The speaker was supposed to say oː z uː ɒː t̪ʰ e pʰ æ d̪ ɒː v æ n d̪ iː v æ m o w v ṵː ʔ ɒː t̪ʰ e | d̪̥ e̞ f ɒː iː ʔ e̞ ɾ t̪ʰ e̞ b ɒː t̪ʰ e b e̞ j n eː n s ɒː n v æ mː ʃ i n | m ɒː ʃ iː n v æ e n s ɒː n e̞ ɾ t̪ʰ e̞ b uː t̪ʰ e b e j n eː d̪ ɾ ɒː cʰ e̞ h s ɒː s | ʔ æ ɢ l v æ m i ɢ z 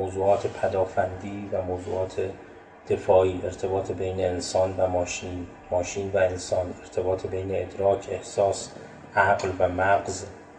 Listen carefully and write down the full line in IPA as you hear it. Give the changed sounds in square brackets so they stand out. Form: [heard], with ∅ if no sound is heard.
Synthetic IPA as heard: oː z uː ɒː t̪ʰ e pʰ æ d̪ ɒː [f] æ n d̪ iː v æ m o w [z] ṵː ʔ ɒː t̪ʰ e | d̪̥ e̞ f ɒː iː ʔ e̞ ɾ t̪ʰ e̞ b ɒː t̪ʰ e b e̞ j n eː n s ɒː n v æ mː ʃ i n | m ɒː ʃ iː n v æ e n s ɒː n e̞ ɾ t̪ʰ e̞ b [ɒː] t̪ʰ e b e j n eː d̪ ɾ ɒː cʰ e̞ h s ɒː s | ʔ æ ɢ l v æ m [æ] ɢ z